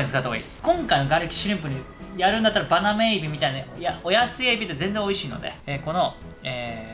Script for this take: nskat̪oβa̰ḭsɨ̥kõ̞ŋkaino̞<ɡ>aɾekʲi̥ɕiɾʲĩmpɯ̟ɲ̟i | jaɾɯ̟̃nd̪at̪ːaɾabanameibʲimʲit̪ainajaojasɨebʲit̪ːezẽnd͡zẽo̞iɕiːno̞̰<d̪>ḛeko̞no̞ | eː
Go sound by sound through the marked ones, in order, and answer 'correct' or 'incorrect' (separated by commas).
correct, correct